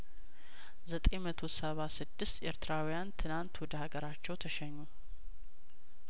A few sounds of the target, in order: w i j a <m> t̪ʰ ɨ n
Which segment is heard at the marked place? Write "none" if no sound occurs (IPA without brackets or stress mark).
n